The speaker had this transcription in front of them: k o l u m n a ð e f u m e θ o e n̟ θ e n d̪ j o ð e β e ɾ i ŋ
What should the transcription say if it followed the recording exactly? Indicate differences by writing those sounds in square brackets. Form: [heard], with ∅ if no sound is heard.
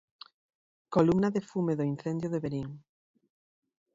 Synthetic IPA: k o l u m n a ð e f u m e [ð] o [i] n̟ θ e n d̪ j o ð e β e ɾ i ŋ